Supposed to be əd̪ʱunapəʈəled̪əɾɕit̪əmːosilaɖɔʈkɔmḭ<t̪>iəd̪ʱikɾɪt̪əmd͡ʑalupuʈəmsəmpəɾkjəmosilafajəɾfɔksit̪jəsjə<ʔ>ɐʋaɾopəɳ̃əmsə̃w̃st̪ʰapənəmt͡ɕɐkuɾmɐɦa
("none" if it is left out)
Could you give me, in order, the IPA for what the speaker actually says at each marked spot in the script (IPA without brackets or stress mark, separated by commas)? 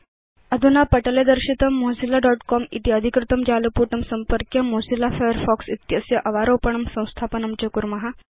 t̪, ʔ